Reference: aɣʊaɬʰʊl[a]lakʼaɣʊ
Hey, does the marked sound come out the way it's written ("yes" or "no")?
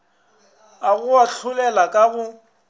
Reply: no